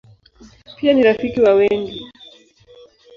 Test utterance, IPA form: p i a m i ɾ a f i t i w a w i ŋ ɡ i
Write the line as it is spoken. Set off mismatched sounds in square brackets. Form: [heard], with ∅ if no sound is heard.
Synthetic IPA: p i a [n] i ɾ a f i [k] i w a w [ɛ] ŋ ɡ i